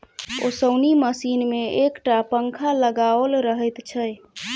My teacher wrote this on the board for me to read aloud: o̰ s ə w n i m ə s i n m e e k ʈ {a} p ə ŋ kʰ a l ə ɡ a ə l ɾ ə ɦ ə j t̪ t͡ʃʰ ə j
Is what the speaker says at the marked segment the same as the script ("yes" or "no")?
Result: yes